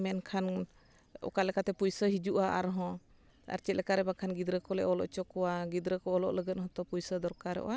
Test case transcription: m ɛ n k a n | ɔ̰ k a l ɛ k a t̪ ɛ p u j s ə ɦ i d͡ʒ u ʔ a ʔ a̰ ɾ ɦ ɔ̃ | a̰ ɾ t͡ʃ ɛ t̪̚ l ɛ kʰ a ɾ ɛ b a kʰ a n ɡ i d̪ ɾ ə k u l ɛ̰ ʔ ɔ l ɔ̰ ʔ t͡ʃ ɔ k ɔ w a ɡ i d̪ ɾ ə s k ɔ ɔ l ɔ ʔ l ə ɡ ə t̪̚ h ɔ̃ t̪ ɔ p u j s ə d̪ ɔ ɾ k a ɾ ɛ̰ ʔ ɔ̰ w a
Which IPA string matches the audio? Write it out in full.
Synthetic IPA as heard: m ɛ n kʰ a n | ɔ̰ k a l ɛ k a t̪ ɛ p u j s ə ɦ i d͡ʒ u ʔ a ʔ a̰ ɾ ɦ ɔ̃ | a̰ ɾ t͡ʃ ɛ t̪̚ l ɛ k a ɾ ɛ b a kʰ a n ɡ i d̪ ɾ ə k ɔ l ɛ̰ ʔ ɔ l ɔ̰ ʔ t͡ʃ ɔ k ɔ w a ɡ i d̪ ɾ ə k ɔ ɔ l ɔ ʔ l ə ɡ ə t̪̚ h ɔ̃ t̪ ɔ p u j s ə d̪ ɔ ɾ k a ɾ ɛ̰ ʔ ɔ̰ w a